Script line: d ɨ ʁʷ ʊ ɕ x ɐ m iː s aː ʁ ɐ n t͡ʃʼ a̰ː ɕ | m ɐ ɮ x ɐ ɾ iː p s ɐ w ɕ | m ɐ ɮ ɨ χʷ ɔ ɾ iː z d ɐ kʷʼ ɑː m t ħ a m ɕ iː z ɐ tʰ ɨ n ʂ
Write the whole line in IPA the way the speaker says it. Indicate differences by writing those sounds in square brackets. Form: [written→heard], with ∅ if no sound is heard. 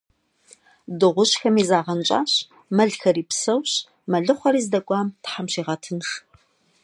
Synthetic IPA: d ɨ ʁʷ ʊ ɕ x ɐ m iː [s→z] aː ʁ ɐ n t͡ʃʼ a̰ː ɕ | m ɐ ɮ x ɐ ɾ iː p s ɐ w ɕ | m ɐ ɮ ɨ χʷ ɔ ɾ iː z d ɐ kʷʼ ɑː m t ħ a m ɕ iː [z→ʁ] ɐ tʰ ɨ n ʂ